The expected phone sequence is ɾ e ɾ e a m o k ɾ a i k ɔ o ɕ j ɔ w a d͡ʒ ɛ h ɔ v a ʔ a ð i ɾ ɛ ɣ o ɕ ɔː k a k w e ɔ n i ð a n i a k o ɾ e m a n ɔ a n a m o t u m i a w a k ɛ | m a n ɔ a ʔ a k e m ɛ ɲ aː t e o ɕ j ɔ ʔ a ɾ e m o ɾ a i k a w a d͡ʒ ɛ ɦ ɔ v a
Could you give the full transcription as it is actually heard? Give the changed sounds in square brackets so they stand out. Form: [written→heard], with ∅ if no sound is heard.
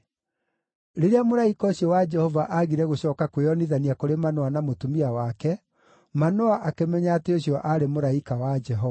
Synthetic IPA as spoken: ɾ e ɾ e a m o [k→∅] ɾ a i k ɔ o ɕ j ɔ w a d͡ʒ ɛ h ɔ v a ʔ a [ð→ɣ] i ɾ ɛ ɣ o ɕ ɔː k a k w e ɔ n i ð a n i a k o ɾ e m a n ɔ a n a m o t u m i a w a k ɛ | m a n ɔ a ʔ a k e m ɛ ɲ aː t e o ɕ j ɔ ʔ a ɾ e m o ɾ a i k a w a d͡ʒ ɛ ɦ ɔ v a

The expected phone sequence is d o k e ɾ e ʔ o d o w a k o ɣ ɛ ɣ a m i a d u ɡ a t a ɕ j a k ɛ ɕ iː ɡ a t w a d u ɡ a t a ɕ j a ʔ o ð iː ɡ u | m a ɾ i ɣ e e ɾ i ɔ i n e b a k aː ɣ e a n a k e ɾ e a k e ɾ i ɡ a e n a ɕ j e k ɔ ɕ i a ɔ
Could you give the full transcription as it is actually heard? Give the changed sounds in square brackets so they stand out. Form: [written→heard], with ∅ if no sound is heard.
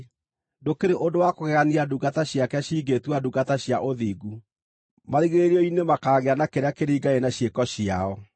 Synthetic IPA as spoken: d o k e ɾ e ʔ o d o w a k o ɣ ɛ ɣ a [m→n] i a d u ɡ a t a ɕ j a k ɛ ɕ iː ɡ [a→e] t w a d u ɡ a t a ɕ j a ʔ o ð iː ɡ u | m a ɾ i ɣ e e ɾ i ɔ i n e [b→m] a k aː ɣ e a n a k e ɾ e a k e ɾ i ɡ a e n a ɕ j e k ɔ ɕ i a ɔ

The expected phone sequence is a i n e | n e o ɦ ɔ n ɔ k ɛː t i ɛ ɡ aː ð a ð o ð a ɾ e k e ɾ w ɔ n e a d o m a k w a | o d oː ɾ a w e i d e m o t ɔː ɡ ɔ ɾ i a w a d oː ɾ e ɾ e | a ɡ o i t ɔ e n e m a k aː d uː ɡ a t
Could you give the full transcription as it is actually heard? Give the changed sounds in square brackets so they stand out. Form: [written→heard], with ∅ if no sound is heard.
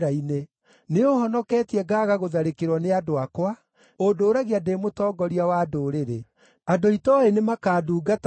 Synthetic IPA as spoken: a i n e | n e o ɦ ɔ n ɔ k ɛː t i ɛ ɡ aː [ð→ɣ] a [ð→ɣ] o ð a ɾ e k e ɾ w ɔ n e a d o [m→∅] a k w a | o d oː ɾ a [w→ɣ] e [i→a] d e m o t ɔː ɡ ɔ ɾ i a w a d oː ɾ e ɾ e | a [ɡ→d] o i t ɔ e n e m a k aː d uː ɡ a t

